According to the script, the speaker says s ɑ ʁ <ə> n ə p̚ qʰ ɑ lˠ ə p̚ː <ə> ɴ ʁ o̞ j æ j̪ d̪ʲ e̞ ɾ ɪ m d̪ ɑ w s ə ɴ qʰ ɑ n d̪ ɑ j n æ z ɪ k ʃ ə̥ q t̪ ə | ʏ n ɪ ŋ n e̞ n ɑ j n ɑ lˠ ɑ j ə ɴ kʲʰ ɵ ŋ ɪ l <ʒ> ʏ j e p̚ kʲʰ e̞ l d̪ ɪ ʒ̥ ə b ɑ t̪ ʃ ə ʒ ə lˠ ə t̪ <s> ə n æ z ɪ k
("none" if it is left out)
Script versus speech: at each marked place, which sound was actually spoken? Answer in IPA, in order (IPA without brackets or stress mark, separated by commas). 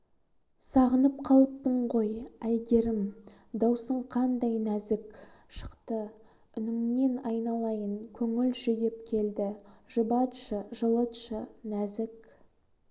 ə, ə, ʒ, ʃ